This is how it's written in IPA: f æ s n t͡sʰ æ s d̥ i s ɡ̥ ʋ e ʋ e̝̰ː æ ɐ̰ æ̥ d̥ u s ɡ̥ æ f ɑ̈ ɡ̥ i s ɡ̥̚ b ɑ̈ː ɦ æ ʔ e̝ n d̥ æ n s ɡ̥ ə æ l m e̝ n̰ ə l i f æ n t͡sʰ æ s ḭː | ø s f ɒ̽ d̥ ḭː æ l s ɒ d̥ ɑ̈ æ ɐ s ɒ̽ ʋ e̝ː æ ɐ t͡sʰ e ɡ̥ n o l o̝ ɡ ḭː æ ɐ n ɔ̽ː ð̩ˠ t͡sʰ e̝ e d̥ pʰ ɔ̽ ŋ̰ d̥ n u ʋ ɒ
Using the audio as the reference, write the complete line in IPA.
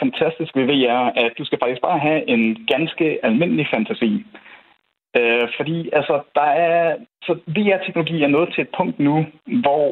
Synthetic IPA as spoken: f æ n t͡sʰ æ s d̥ i s ɡ̥ ʋ e ʋ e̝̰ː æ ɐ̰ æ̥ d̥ u s ɡ̥ æ f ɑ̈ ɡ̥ i s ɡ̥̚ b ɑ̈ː ɦ æ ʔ e̝ n ɡ̥ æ n s ɡ̥ ə æ l m e̝ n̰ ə l i f æ n t͡sʰ æ s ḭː | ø f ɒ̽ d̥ ḭː æ l s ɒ d̥ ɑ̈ æ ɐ s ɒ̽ ʋ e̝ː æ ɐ t͡sʰ e ɡ̥ n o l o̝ ɡ ḭː æ ɐ n ɔ̽ː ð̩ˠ t͡sʰ e̝ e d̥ pʰ ɔ̽ ŋ̰ d̥ n u ʋ ɒ